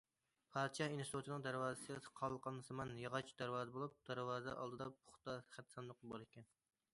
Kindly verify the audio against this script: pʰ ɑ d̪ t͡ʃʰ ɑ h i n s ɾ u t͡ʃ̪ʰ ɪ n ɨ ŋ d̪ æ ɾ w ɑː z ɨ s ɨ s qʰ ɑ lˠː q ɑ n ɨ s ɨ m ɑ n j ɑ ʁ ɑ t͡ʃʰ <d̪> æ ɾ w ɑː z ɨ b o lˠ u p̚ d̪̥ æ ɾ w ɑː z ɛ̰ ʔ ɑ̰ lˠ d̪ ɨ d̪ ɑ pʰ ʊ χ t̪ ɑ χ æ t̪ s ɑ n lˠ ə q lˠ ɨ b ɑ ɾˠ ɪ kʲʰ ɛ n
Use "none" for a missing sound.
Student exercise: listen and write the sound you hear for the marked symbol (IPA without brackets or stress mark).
d̪